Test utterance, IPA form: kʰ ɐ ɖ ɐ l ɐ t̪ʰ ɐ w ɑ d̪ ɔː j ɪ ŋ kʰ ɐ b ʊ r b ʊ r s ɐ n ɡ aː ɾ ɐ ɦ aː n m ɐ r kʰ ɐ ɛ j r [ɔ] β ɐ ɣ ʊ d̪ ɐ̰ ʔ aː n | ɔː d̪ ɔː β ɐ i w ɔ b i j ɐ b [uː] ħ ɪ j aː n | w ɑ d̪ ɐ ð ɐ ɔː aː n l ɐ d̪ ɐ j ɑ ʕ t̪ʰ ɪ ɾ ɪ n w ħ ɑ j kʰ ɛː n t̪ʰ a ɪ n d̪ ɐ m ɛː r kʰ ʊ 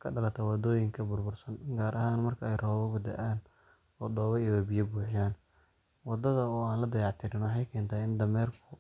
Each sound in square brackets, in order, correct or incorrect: incorrect, correct

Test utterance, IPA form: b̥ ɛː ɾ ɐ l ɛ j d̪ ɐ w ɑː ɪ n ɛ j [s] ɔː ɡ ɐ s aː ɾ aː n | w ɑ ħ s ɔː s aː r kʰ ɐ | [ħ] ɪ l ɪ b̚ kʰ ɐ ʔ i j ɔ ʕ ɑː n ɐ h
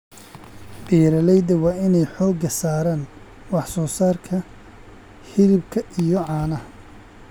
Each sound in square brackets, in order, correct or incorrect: incorrect, incorrect

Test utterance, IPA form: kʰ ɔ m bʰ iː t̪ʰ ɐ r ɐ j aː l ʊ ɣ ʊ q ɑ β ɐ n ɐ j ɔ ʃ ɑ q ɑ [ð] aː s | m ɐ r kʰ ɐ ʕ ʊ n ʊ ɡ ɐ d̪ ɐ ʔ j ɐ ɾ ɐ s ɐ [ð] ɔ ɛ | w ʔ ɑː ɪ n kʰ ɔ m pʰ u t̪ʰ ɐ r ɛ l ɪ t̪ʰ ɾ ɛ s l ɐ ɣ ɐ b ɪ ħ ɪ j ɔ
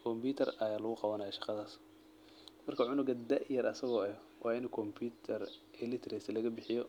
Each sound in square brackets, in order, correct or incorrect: correct, incorrect

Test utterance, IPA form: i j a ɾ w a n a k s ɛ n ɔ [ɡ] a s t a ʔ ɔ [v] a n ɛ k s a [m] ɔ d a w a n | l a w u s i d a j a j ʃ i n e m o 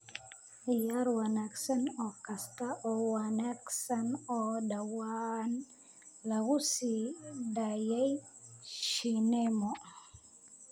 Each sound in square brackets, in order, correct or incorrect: incorrect, incorrect, incorrect

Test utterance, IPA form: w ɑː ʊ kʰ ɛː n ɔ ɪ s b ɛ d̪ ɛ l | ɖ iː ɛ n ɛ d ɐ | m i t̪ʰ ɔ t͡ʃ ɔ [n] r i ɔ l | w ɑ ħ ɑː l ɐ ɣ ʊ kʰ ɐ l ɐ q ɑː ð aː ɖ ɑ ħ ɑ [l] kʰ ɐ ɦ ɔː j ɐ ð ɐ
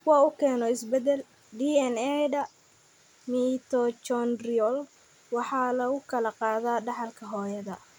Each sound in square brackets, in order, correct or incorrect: correct, correct

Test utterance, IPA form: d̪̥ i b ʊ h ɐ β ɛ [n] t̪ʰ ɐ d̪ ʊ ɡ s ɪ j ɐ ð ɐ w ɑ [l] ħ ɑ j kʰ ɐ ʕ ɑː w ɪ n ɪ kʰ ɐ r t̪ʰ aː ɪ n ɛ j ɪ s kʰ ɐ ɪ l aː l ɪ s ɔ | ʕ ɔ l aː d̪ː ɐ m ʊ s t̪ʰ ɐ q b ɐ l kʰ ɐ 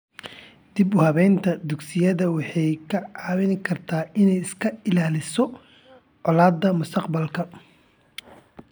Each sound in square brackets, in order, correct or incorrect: correct, incorrect

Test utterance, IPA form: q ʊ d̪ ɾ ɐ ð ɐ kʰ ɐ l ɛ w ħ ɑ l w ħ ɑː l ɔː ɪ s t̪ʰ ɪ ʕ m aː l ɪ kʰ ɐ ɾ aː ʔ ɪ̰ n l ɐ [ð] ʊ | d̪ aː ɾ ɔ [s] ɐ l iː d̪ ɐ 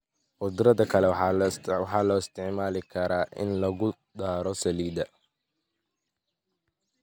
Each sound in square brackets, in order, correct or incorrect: incorrect, correct

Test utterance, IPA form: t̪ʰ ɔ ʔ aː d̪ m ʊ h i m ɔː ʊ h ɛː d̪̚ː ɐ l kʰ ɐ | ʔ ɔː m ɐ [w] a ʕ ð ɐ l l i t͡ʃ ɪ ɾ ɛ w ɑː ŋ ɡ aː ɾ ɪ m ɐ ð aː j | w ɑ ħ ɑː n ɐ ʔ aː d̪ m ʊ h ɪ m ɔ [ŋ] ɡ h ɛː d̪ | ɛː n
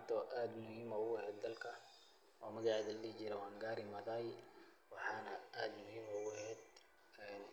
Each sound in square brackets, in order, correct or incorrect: incorrect, incorrect

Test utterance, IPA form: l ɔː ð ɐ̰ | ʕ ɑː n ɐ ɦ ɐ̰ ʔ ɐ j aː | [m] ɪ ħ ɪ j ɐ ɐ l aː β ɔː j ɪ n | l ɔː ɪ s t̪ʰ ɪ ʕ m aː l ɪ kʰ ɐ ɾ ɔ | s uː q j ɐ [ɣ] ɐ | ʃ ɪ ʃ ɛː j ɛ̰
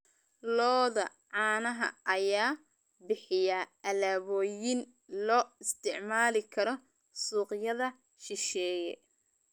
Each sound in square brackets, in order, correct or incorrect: incorrect, incorrect

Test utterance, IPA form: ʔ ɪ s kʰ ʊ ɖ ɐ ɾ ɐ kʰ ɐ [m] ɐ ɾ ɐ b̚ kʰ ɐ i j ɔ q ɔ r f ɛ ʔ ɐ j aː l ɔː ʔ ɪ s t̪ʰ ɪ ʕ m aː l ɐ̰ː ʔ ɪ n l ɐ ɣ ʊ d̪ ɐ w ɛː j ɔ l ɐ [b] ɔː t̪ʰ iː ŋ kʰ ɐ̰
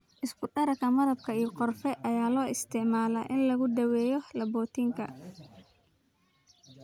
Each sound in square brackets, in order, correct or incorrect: correct, correct

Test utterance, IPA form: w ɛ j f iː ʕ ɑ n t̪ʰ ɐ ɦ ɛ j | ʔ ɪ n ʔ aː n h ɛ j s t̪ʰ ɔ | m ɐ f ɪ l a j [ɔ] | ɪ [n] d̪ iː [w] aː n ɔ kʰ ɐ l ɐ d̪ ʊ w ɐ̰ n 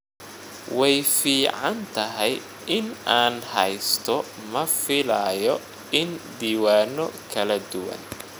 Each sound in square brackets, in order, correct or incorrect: correct, correct, correct

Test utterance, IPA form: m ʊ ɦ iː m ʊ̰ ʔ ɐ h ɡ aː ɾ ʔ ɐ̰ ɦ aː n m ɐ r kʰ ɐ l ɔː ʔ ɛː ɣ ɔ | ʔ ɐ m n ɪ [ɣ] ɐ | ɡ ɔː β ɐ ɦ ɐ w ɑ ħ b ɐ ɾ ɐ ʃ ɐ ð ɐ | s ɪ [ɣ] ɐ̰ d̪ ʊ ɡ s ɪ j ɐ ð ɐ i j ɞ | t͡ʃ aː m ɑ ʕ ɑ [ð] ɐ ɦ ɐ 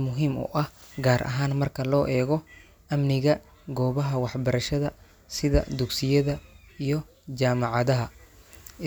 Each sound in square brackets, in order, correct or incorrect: correct, incorrect, correct

